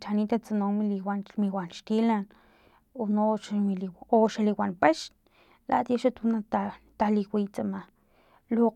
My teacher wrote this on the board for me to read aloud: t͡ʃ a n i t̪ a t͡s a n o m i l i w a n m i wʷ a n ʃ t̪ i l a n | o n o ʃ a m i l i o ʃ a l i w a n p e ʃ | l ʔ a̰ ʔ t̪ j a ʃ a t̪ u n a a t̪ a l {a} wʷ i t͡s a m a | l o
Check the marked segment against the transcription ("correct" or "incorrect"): incorrect